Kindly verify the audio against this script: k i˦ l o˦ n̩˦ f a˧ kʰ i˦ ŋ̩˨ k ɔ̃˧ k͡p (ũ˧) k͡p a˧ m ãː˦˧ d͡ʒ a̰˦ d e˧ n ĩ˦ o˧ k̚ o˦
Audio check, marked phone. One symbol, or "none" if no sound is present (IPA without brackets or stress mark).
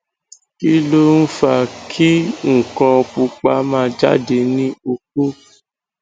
u˧